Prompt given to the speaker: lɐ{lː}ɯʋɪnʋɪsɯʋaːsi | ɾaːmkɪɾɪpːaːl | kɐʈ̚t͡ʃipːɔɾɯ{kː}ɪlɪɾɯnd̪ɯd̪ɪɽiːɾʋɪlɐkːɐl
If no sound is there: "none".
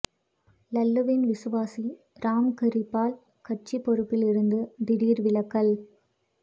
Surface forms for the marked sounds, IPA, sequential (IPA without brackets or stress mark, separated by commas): lː, pː